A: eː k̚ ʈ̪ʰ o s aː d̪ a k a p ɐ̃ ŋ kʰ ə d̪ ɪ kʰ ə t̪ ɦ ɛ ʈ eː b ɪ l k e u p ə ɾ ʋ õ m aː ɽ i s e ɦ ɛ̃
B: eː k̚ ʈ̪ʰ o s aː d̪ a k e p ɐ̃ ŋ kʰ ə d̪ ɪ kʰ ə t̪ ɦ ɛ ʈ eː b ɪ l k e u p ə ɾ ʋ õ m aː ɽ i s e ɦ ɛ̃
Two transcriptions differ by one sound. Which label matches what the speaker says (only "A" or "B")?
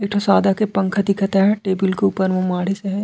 B